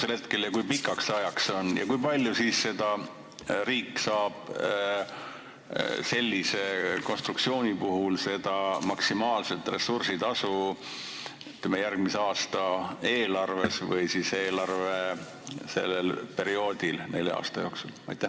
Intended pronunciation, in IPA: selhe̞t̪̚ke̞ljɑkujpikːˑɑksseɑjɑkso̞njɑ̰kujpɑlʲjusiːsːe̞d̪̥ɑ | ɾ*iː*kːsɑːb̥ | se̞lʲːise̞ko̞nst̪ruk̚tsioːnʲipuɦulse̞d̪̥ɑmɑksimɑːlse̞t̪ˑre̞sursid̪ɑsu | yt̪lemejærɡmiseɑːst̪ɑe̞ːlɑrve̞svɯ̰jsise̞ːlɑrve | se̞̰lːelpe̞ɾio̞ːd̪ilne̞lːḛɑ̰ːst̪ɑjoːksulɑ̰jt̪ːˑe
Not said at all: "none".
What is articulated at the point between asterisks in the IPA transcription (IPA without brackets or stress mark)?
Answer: iː